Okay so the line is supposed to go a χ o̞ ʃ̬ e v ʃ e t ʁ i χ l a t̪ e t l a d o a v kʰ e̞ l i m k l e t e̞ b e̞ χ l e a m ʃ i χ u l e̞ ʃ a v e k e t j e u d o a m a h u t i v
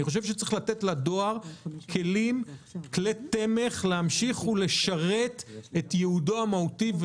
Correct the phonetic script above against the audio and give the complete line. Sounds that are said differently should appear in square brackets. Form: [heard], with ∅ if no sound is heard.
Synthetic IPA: [i] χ o̞ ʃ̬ e v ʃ e [t͡s] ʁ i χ l a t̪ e t l a d o a [ʁ] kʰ e̞ l i m k l e t e̞ [m] e̞ χ l e a m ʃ i χ u l e̞ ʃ a [ʁ] e [t] e t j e u d o a m a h u t i v